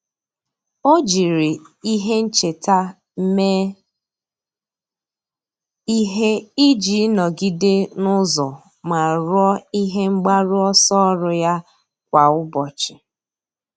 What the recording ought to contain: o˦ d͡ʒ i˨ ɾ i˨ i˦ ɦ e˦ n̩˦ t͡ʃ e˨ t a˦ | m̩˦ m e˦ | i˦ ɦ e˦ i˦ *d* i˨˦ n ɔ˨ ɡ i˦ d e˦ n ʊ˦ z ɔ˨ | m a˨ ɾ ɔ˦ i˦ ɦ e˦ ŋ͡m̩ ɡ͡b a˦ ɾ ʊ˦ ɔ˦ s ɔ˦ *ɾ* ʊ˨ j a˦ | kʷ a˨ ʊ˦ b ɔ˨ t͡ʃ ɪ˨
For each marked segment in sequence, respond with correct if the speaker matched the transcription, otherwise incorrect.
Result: incorrect, correct

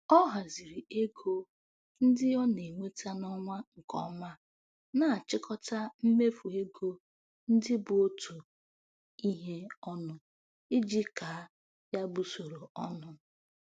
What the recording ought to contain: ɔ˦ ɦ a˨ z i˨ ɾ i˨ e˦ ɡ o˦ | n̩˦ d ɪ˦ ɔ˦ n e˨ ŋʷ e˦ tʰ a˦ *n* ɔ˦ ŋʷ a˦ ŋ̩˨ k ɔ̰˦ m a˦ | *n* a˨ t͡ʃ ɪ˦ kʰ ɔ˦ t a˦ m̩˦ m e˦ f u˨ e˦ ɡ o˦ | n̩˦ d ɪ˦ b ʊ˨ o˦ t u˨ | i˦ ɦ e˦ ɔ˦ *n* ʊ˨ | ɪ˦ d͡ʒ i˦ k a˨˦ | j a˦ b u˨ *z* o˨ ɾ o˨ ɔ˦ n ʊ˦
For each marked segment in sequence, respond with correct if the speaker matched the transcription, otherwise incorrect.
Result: correct, correct, correct, incorrect

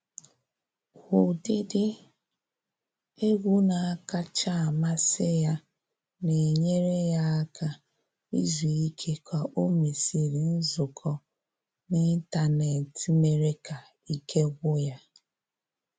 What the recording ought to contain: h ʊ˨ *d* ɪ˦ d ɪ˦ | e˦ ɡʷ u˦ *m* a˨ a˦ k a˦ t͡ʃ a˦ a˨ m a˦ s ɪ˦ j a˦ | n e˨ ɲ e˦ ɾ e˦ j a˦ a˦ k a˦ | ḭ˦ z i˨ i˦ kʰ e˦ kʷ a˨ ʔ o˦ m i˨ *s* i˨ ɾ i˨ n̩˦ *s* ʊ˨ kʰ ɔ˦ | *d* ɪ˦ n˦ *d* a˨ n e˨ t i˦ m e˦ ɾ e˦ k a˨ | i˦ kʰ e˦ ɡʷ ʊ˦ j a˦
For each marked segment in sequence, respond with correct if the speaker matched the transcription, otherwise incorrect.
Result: correct, incorrect, correct, incorrect, incorrect, incorrect

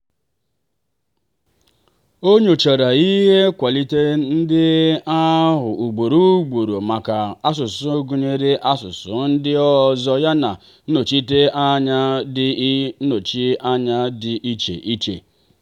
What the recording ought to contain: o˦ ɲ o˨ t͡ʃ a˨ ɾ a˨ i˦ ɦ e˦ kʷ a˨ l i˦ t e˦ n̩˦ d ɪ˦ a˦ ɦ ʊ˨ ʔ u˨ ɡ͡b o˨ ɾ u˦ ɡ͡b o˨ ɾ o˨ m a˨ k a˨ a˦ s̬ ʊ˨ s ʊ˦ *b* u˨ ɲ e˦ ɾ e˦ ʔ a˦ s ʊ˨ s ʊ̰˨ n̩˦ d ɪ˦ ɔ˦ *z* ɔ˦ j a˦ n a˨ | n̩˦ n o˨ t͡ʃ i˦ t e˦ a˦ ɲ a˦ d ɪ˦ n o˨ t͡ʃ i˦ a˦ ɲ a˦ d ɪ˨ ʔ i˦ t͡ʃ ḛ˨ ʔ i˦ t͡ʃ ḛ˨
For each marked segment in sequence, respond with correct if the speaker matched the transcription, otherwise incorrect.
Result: incorrect, correct

